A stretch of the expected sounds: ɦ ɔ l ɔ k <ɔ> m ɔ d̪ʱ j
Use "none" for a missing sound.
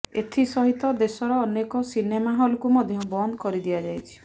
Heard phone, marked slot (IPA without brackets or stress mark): u